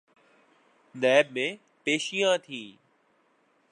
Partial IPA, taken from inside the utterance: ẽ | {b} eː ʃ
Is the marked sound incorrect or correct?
incorrect